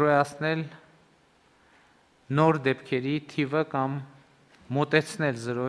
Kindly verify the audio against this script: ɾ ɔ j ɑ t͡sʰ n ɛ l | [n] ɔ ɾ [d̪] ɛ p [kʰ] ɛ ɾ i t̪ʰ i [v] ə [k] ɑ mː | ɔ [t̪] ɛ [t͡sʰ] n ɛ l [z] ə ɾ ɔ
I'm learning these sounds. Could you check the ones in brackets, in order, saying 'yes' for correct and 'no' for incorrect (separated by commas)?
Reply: yes, yes, yes, yes, yes, yes, yes, yes